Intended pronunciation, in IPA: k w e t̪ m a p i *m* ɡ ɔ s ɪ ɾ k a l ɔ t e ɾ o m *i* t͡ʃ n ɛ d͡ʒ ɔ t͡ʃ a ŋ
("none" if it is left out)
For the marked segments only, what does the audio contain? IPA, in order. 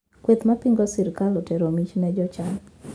ŋ, i

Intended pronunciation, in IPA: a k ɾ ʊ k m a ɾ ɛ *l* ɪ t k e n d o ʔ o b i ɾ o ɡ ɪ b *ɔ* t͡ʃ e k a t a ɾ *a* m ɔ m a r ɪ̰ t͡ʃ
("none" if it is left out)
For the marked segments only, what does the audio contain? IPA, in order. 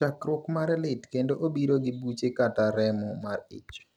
l, u, ɛ

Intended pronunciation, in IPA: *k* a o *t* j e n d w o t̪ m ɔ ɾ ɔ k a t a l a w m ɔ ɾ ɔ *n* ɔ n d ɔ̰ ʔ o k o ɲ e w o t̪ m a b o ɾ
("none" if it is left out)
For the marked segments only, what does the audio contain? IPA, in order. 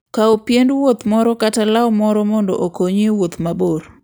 k, p, m

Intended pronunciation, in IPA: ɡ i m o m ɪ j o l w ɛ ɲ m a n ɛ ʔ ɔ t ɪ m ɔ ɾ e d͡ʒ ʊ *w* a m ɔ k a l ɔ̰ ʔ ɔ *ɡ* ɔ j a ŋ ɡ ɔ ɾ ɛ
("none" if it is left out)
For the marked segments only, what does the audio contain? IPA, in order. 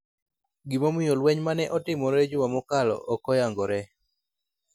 w, k

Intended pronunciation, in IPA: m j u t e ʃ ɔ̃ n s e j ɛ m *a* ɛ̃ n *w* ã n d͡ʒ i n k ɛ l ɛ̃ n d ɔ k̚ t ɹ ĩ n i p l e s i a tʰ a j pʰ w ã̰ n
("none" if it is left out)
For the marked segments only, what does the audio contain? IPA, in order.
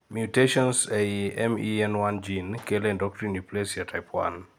i, w

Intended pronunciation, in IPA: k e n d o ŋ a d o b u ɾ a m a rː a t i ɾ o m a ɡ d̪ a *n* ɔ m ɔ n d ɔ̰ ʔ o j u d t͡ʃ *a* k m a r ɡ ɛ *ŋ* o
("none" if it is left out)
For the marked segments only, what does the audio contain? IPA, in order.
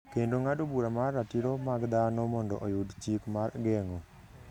n, i, ŋ

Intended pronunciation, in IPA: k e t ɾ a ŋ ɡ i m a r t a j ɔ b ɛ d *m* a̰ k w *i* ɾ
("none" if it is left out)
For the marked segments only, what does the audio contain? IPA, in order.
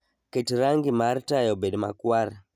m, a

